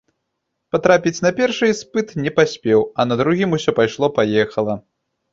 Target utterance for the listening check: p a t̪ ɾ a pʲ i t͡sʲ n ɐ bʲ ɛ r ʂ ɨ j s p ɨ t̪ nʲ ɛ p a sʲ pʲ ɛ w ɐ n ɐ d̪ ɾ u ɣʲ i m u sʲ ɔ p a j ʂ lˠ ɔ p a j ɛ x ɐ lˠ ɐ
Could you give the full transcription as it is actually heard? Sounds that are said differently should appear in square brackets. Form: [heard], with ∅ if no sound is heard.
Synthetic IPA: p a t̪ ɾ a pʲ i t͡sʲ n ɐ [pʲ] ɛ r ʂ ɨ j s p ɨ t̪ nʲ ɛ p a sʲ pʲ ɛ w ɐ n ɐ d̪ ɾ u ɣʲ i m u sʲ ɔ p a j ʂ lˠ ɔ p a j ɛ x ɐ lˠ ɐ